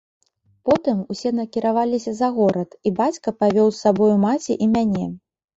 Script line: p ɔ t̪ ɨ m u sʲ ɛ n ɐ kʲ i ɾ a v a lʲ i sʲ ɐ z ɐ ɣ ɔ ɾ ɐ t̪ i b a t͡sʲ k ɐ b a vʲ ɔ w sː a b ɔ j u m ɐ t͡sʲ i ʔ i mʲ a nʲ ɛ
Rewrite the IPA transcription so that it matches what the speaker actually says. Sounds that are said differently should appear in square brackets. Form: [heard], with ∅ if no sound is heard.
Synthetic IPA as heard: p ɔ t̪ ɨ m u sʲ ɛ n ɐ kʲ i ɾ a v a lʲ i sʲ ɐ z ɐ ɣ ɔ ɾ ɐ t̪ i b a t͡sʲ k ɐ [p] a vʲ ɔ w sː a b ɔ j u m [a] t͡sʲ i ʔ i mʲ a nʲ ɛ